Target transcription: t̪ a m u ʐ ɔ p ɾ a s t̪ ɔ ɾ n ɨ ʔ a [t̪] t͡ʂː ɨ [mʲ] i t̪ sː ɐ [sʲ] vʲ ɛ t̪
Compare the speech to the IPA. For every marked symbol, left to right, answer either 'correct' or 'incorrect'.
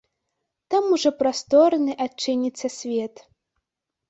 incorrect, incorrect, correct

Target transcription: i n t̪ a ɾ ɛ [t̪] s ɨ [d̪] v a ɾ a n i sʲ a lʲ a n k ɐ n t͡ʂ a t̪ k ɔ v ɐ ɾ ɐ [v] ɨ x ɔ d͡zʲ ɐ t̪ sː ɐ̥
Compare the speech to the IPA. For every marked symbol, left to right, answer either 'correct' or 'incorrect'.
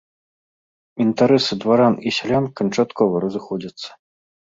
incorrect, correct, incorrect

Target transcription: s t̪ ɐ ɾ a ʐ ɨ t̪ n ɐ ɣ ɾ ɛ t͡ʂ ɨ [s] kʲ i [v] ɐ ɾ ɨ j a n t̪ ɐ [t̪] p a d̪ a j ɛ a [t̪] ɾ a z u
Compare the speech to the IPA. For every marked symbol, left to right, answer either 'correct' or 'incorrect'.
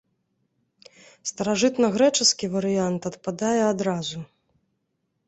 correct, correct, correct, incorrect

